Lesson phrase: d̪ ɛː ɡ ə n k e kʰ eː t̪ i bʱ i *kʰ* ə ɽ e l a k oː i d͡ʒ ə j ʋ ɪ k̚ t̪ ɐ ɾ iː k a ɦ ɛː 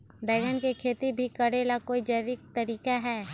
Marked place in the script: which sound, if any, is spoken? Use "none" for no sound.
k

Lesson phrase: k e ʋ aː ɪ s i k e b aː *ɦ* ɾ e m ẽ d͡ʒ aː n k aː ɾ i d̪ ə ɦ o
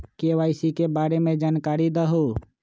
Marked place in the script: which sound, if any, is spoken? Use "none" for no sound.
none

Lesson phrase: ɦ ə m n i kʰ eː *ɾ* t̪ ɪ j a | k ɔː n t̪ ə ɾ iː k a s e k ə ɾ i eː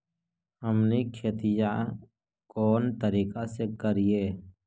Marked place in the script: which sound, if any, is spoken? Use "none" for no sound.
none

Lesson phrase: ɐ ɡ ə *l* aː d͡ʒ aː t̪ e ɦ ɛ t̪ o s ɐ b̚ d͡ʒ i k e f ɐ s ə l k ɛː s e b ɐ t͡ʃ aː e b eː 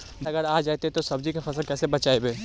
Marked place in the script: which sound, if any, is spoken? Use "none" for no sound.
ɾ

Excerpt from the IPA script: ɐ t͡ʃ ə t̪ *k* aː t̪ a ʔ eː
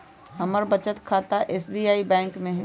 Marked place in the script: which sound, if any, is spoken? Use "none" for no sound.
kʰ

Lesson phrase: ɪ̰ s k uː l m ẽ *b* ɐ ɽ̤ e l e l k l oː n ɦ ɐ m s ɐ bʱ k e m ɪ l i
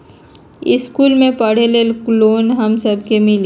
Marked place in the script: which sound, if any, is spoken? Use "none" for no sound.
p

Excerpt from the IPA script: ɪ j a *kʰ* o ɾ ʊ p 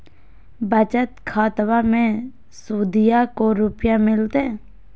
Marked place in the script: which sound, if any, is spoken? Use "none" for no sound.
k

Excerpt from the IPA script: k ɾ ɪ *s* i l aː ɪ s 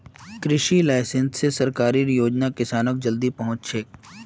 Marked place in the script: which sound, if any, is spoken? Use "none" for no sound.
ʃ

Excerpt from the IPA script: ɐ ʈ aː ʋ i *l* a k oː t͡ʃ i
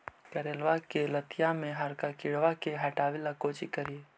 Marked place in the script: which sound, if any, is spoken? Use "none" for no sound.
l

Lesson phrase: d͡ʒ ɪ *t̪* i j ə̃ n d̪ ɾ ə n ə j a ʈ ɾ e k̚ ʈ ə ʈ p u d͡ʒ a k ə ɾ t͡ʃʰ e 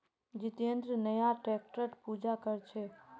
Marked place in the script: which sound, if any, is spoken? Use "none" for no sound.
t̪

